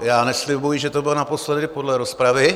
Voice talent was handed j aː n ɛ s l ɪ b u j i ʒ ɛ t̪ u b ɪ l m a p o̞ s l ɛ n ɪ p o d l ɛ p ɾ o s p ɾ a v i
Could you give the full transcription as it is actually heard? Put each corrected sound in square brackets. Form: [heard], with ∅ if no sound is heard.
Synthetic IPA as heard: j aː n ɛ s l ɪ b u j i ʒ ɛ t̪ [o] b ɪ l [n] a p o̞ s l ɛ [d] ɪ p o d l ɛ [∅] ɾ o s p ɾ a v [ɪ]